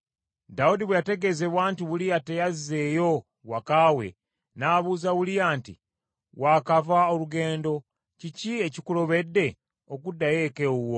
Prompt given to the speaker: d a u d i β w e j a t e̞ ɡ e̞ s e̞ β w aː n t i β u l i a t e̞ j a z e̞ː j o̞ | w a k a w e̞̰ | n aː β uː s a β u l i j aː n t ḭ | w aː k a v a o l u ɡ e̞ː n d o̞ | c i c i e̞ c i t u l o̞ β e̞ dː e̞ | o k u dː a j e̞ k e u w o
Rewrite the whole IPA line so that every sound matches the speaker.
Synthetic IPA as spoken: d a u d i β w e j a t e̞ ɡ e̞ z e̞ β w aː n t i β u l i a t e̞ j a z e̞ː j o̞ | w a k a w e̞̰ | n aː β uː z a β u l i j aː n t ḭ | w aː k a v a o l u ɡ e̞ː n d o̞ | c i c i e̞ c i k u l o̞ β e̞ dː e̞ | o k u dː a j e̞ k e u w o